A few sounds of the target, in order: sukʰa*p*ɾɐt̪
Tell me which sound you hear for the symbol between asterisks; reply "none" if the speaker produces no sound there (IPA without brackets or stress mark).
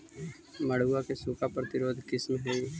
p